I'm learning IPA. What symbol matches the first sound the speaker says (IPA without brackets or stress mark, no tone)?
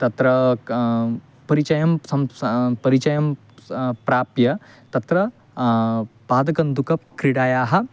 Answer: t̪